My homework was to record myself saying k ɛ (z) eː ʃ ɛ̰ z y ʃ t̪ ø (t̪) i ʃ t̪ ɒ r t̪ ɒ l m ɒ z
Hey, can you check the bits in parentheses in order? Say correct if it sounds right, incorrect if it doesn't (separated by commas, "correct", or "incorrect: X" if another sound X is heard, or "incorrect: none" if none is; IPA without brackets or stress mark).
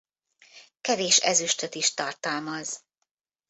incorrect: v, correct